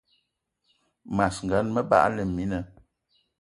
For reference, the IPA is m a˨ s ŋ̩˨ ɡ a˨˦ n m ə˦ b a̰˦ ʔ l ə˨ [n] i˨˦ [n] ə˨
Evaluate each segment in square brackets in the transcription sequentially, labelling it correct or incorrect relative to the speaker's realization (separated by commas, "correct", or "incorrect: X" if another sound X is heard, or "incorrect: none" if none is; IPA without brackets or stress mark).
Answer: incorrect: m, correct